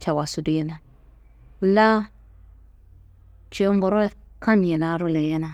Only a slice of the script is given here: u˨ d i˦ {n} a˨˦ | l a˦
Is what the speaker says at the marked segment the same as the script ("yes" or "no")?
yes